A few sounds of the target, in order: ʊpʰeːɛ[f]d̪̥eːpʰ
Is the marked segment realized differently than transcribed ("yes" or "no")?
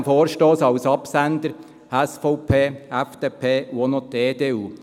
no